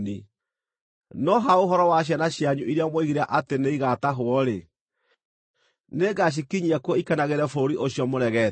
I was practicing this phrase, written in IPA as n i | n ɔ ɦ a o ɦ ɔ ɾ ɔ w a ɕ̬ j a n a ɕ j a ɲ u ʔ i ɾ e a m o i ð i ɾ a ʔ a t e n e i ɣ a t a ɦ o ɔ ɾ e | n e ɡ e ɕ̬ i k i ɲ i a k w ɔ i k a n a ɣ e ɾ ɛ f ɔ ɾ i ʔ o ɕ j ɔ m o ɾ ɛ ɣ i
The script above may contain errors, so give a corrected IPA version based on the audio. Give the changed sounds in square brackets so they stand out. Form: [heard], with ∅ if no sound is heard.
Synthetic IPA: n i | n ɔ ɦ a o ɦ ɔ ɾ ɔ w a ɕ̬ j a n a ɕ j a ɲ u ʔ i ɾ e a m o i [ɣ] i ɾ a ʔ a t e n e i ɣ a t a ɦ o ɔ ɾ e | n e ɡ [a] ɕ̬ i k i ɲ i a k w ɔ i k a n a ɣ e ɾ ɛ f [o] ɾ i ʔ o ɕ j ɔ m o ɾ ɛ ɣ [ɛ]